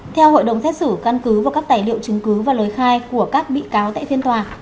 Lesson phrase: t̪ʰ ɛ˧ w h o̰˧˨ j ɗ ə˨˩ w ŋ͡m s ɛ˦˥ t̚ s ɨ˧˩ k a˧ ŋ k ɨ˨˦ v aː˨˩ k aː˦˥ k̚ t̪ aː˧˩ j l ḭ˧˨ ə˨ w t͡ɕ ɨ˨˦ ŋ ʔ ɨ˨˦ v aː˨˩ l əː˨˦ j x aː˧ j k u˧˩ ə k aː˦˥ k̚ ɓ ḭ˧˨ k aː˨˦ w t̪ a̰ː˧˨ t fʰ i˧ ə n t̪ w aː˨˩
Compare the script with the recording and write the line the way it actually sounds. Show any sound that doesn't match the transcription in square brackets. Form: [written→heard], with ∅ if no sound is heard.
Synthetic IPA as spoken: t̪ʰ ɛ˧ w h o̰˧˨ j ɗ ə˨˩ w ŋ͡m s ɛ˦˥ t̚ s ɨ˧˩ k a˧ [ŋ→n] k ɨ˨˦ v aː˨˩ k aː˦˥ k̚ t̪ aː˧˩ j l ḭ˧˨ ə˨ w t͡ɕ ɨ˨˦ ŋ [ʔ→k] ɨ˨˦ v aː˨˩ l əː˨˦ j x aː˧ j k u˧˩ ə k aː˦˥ k̚ ɓ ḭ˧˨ k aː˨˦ w t̪ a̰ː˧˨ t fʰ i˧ ə n t̪ w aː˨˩

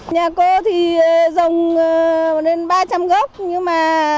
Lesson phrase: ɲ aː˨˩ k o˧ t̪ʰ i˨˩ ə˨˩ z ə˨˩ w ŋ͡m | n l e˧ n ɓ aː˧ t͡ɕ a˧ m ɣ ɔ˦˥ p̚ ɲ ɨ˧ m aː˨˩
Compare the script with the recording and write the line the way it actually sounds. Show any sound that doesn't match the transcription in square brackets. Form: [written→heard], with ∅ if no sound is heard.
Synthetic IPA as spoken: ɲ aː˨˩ k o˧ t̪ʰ i˨˩ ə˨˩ z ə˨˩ w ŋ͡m | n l e˧ n ɓ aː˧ t͡ɕ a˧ m ɣ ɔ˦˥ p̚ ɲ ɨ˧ m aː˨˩

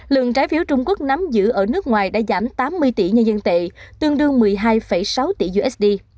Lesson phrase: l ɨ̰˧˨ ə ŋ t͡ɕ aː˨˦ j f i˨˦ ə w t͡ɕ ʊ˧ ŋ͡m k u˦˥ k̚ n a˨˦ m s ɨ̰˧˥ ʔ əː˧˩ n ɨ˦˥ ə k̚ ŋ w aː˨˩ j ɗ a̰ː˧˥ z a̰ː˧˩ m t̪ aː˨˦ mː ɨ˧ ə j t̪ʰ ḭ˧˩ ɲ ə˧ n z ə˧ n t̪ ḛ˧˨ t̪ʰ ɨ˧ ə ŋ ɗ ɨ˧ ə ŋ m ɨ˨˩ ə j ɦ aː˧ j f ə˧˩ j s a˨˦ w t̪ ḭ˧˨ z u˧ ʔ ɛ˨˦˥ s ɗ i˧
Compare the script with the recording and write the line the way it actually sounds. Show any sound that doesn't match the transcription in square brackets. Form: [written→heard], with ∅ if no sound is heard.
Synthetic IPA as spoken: l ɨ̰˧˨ ə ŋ t͡ɕ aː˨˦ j f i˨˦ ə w t͡ɕ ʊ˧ ŋ͡m k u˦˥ k̚ n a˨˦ m [s→z] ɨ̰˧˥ ʔ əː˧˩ n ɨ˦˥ ə k̚ ŋ w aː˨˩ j ɗ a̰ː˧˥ z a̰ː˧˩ m t̪ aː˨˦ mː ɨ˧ ə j [t̪ʰ→t̪] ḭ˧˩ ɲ ə˧ n z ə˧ n t̪ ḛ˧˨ [t̪ʰ→t̪] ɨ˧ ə ŋ ɗ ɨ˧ ə ŋ m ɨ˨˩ ə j ɦ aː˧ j f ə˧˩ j s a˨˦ w t̪ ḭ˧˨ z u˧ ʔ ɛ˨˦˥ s ɗ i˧

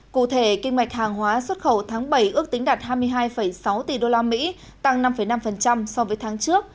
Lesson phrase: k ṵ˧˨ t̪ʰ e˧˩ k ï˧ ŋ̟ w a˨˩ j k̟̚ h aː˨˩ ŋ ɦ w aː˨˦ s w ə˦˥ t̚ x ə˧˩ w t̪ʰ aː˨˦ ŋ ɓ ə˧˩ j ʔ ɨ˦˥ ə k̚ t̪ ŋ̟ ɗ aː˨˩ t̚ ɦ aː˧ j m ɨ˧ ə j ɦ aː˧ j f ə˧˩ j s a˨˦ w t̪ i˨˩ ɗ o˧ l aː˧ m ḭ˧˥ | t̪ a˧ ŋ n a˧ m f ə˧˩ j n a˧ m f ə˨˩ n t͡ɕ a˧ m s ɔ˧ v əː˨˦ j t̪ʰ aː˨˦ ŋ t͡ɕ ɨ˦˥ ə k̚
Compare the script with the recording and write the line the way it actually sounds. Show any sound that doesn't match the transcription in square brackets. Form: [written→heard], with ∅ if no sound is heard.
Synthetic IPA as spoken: k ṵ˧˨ t̪ʰ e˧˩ k ï˧ ŋ̟ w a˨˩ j k̟̚ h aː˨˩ ŋ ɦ w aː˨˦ s w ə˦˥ t̚ x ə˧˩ w t̪ʰ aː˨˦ ŋ ɓ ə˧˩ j ʔ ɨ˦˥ ə k̚ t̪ ŋ̟ ɗ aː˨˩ t̚ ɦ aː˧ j m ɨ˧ ə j ɦ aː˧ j f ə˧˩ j s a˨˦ w t̪ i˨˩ ɗ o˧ l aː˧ m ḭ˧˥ | t̪ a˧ ŋ n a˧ m f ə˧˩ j n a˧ m f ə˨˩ n t͡ɕ a˧ m s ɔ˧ v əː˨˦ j t̪ʰ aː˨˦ ŋ t͡ɕ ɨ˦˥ ə k̚

